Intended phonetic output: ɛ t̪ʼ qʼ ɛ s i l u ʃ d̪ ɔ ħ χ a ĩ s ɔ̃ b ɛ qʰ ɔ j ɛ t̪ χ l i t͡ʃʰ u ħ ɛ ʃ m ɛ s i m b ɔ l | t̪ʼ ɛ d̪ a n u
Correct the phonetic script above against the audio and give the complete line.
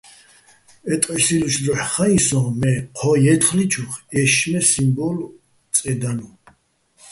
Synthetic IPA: ɛ t̪ʼ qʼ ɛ s i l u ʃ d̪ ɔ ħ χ a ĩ s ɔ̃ m ɛ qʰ ɔ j ɛ t̪ χ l i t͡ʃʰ u χ ɛ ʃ m ɛ s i m b ɔ l | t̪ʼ ɛ d̪ a n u